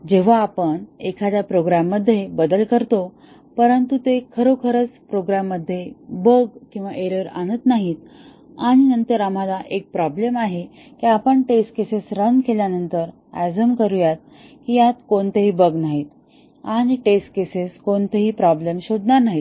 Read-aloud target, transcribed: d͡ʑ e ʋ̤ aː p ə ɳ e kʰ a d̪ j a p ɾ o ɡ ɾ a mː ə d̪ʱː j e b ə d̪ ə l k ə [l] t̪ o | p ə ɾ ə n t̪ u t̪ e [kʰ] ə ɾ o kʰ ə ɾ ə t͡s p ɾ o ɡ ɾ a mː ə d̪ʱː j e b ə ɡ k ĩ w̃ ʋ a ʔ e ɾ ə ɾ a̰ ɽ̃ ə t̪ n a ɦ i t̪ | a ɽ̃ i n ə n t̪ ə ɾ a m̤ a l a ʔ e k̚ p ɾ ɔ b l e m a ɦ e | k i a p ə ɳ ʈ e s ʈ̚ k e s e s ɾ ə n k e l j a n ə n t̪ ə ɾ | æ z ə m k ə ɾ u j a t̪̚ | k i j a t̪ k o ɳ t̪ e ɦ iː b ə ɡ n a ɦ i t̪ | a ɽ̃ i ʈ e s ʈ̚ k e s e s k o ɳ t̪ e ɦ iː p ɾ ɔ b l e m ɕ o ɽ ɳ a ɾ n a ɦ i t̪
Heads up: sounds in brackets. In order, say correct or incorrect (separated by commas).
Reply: incorrect, correct